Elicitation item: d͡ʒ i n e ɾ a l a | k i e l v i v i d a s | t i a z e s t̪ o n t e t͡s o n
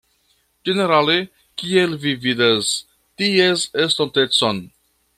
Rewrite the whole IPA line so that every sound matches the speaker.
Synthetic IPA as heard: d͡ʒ e n e ɾ a l e | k i e l v i v i d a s | t i e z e s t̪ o n t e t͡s o n